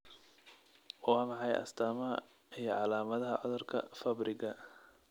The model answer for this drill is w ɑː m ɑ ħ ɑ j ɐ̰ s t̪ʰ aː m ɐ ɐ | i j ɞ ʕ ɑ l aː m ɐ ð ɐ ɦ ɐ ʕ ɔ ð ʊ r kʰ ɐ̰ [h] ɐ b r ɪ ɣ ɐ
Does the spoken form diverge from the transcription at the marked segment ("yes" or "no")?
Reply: yes